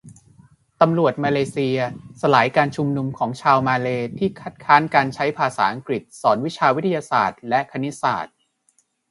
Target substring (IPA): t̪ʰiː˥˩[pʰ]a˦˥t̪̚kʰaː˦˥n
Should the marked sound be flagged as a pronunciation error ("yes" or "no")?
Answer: yes